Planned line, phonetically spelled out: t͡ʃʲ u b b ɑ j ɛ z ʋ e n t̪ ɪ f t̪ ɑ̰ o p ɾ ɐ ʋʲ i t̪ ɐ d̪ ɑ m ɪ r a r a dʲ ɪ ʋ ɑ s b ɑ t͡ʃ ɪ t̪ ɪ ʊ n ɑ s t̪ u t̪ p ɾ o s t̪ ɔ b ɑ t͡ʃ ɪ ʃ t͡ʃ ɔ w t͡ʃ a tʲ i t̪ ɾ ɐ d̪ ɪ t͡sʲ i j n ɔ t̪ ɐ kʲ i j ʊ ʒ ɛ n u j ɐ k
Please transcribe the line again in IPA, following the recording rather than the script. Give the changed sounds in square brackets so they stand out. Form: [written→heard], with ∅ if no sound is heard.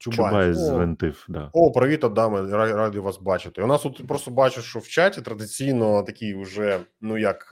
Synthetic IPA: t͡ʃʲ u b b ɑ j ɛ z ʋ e n t̪ ɪ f [t̪→d̪] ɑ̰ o p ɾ ɐ ʋʲ i t̪ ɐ d̪ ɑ m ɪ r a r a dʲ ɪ ʋ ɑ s b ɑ t͡ʃ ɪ t̪ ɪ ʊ n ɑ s t̪ u t̪ p ɾ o s t̪ ɔ b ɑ t͡ʃ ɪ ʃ t͡ʃ ɔ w t͡ʃ a tʲ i t̪ ɾ ɐ d̪ ɪ t͡sʲ i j n ɔ t̪ ɐ kʲ i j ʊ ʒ ɛ n u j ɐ k